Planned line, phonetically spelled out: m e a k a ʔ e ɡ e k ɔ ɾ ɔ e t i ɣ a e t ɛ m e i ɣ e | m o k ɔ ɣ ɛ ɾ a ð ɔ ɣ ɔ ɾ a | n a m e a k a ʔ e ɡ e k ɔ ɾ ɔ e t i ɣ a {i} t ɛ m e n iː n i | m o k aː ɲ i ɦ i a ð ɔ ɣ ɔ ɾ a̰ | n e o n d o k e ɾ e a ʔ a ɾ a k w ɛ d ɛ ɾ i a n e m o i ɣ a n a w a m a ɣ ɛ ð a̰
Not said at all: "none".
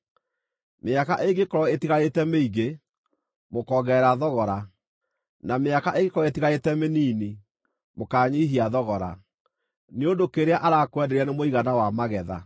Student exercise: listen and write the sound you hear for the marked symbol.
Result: e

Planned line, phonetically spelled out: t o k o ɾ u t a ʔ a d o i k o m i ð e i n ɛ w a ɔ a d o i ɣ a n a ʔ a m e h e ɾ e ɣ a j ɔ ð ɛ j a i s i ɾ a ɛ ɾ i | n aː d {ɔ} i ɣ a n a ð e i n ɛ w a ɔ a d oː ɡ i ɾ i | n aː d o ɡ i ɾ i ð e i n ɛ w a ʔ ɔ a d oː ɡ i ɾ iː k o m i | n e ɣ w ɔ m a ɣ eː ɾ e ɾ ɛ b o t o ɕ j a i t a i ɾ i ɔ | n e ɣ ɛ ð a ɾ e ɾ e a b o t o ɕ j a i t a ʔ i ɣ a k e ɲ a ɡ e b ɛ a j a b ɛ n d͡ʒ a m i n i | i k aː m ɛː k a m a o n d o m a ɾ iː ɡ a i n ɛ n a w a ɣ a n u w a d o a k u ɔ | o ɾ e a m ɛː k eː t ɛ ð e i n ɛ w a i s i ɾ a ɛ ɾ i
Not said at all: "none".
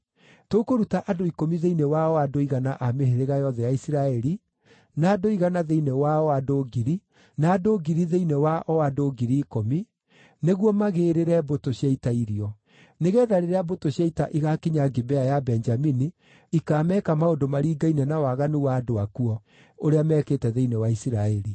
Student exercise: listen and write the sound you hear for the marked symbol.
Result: o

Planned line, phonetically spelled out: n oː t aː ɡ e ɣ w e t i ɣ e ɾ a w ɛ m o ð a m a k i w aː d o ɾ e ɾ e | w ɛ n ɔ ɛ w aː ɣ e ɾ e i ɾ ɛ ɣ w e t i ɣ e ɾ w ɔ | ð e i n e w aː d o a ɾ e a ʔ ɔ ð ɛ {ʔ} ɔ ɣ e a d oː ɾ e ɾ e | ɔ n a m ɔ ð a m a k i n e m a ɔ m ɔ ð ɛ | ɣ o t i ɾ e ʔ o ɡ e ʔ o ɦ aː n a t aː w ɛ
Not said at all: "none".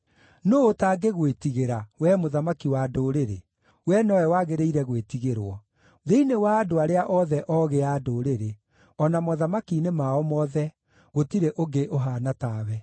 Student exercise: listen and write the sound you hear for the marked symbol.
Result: ʔ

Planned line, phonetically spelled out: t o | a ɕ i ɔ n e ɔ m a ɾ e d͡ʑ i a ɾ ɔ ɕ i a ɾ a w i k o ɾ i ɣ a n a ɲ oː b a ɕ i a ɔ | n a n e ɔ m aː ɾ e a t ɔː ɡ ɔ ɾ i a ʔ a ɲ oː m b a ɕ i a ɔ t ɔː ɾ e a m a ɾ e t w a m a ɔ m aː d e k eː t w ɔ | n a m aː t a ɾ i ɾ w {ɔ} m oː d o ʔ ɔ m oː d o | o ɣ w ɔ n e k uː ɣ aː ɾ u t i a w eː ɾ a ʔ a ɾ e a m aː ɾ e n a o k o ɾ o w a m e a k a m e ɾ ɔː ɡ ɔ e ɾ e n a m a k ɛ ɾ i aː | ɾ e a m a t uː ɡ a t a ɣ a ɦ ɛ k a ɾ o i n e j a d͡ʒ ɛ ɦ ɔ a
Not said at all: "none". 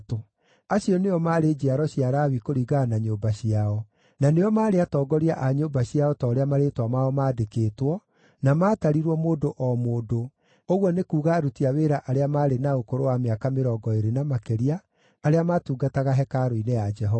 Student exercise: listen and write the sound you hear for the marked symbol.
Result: ɔ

